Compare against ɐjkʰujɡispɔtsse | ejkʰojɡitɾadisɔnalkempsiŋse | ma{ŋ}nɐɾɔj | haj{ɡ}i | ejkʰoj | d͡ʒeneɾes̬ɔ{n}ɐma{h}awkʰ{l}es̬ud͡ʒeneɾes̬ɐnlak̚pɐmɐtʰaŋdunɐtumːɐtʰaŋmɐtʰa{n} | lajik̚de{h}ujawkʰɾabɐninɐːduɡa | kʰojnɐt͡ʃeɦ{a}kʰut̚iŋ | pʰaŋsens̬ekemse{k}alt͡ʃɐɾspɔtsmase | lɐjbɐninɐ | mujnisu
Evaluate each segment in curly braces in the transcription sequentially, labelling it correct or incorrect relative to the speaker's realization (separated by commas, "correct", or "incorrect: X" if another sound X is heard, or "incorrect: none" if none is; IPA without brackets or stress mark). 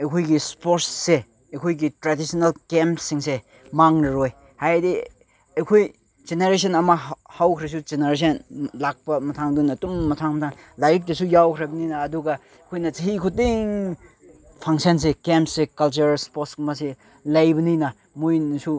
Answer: correct, incorrect: d, correct, correct, incorrect: ɾ, incorrect: ŋ, incorrect: s, incorrect: i, correct